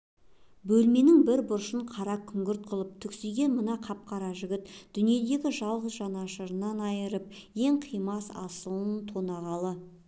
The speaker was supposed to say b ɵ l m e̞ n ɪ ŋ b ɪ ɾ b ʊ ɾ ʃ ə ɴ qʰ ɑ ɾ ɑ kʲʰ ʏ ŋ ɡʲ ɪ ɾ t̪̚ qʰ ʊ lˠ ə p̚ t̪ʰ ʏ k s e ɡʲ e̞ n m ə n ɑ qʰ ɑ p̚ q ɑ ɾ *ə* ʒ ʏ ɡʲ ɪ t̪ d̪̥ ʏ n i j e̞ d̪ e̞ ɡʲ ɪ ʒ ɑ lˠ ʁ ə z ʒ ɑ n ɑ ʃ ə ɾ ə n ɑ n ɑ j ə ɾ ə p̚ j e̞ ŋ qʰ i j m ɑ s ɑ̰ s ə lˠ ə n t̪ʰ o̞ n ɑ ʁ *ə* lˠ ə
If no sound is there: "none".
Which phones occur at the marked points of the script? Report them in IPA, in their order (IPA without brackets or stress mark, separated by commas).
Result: ɑ, ɑ